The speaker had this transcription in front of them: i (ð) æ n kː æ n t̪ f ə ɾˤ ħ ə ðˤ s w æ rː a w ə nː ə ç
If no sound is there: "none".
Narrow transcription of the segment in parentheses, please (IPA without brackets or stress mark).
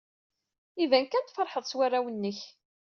v